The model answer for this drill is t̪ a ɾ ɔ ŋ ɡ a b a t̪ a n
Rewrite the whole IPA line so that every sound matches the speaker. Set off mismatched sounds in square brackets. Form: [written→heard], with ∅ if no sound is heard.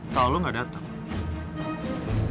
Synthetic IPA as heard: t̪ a [ɾ→l] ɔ ŋ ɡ a [b→d] a t̪ a [n→ŋ]